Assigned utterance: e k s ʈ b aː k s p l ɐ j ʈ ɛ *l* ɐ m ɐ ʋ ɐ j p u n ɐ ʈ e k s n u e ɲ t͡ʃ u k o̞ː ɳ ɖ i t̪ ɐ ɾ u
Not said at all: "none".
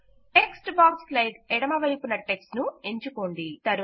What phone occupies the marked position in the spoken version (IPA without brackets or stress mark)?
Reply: ɽ